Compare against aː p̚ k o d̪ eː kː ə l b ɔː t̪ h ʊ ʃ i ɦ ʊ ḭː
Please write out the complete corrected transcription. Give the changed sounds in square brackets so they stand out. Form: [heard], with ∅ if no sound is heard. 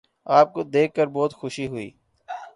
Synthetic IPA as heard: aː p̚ k o d̪ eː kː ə [ɾ] b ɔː t̪ [x] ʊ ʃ i ɦ ʊ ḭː